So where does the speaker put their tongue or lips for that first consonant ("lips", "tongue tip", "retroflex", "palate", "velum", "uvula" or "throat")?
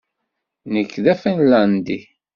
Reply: tongue tip